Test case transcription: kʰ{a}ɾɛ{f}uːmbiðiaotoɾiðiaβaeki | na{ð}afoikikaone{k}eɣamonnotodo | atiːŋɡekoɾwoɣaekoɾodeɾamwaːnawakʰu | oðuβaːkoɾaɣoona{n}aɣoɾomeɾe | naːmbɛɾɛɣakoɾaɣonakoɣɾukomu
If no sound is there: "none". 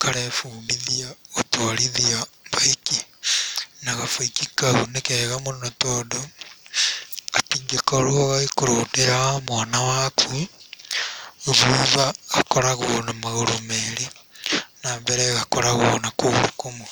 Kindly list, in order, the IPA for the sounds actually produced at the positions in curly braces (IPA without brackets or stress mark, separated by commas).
a, f, ɣ, k, m